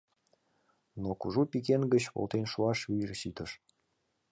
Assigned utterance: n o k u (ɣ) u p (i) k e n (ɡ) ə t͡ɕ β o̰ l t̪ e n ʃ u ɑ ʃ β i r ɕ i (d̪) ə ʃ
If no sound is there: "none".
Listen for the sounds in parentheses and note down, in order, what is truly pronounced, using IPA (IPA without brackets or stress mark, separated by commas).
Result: ʒ, i, ɡ, t̪